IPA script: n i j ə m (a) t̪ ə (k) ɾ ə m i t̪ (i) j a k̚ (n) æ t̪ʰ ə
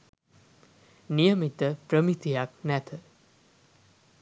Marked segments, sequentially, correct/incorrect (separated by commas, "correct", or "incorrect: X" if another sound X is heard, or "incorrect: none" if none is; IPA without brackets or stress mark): incorrect: i, incorrect: p, correct, correct